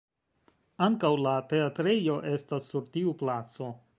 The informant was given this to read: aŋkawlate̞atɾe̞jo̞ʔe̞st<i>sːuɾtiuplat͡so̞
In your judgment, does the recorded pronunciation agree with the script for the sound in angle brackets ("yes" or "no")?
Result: no